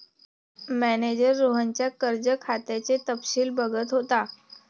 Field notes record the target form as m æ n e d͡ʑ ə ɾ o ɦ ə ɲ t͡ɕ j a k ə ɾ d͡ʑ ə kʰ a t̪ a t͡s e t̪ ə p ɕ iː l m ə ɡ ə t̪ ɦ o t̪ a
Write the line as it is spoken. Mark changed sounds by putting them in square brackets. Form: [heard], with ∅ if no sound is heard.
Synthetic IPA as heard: m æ n e d͡ʑ ə [ɾː] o ɦ ə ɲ t͡ɕ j a k ə ɾ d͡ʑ ə kʰ a t̪ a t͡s e t̪ ə p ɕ iː l [b] ə ɡ ə t̪ ɦ o t̪ a